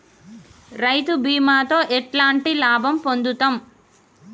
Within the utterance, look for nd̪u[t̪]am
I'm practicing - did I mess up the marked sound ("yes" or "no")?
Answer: no